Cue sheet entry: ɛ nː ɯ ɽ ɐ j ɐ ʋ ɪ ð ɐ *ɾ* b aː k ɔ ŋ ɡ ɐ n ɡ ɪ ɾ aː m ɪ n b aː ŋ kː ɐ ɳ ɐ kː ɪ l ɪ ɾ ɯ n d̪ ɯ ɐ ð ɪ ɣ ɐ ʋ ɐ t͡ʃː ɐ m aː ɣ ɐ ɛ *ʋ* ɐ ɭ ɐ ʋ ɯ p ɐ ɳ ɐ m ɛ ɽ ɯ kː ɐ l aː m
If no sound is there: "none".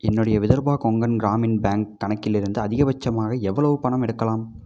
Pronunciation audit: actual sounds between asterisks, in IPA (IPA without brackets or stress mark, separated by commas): ɾ, ʋː